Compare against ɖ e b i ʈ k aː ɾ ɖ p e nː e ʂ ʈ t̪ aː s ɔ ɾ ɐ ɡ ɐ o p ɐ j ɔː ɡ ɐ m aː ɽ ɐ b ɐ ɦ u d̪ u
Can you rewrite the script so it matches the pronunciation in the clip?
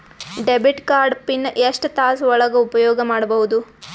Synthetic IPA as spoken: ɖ e b i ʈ k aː ɾ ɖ p i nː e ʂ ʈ t̪ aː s ɔ ɭ ɐ ɡ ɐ u p ɐ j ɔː ɡ ɐ m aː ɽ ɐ b ɐ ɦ u d̪ u

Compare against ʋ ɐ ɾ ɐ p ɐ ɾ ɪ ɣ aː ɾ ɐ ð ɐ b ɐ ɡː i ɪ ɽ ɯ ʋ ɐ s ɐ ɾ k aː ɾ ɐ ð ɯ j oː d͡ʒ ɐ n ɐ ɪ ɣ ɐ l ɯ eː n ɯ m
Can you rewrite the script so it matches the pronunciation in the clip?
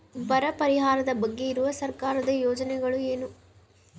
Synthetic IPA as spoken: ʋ ɐ ɾ ɐ p ɐ ɾ ɪ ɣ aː ɾ ɐ ð ɐ b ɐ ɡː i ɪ ɾ ɯ ʋ ɐ s ɐ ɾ k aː ɾ ɐ ð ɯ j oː d͡ʒ ɐ n ɐ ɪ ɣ ɐ ɭ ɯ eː n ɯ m

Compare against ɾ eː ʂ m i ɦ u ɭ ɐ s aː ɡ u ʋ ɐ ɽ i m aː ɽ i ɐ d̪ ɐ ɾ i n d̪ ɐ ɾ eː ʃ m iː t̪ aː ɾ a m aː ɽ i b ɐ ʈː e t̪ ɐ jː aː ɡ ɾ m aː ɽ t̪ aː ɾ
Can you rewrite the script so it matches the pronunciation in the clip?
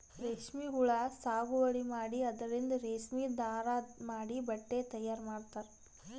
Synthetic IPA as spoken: ɾ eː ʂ m i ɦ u ɭ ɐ s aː ɡ u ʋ ɐ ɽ i m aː ɽ i ɐ d̪ ɐ ɾ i n d̪ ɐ ɾ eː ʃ m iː d̪ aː ɾ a m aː ɽ i b ɐ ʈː e t̪ ɐ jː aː ɾ m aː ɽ t̪ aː ɾ

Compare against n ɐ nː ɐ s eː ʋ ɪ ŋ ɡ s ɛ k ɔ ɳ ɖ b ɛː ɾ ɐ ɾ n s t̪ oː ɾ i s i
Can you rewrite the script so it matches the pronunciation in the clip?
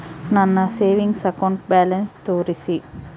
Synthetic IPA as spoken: n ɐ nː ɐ s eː ʋ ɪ ŋ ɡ s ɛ k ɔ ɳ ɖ b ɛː l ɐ n s t̪ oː ɾ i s i

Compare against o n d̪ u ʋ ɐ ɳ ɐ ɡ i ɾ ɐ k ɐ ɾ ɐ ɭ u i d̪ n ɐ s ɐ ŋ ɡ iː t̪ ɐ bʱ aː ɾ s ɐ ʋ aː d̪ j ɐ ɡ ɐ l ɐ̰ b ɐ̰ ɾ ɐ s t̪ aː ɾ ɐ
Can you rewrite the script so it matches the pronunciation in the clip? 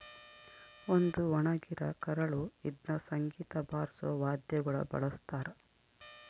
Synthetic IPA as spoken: o n d̪ u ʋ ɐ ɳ ɐ ɡ i ɾ ɐ k ɐ ɾ ɐ ɭ u i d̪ n ɐ s ɐ ŋ ɡ iː t̪ ɐ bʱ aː ɾ s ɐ ʋ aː d̪ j ɐ ɡ ɐ ɭ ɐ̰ b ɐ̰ ɭ ɐ s t̪ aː ɾ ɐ

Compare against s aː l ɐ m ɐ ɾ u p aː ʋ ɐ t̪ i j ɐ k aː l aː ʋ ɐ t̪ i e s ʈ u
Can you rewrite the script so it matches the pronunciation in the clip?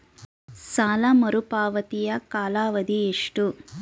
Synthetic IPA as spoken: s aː l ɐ m ɐ ɾ u p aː ʋ ɐ t̪ i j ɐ k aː l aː ʋ ɐ d̪ i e ʂ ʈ u

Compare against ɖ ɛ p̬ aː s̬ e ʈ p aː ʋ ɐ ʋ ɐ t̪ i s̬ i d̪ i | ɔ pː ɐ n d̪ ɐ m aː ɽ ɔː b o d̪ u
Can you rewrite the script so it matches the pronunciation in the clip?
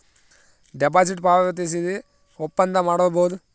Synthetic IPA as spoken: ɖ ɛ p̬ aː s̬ i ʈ p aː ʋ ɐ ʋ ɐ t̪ i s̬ i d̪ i | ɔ pː ɐ n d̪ ɐ m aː ɽ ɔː b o d̪ u

